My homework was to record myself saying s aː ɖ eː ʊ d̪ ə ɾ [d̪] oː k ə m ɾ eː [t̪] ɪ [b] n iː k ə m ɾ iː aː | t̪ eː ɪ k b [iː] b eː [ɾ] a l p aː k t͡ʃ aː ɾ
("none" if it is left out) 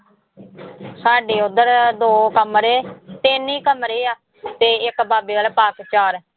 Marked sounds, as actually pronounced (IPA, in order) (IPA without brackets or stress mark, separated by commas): d̪, t̪, none, aː, none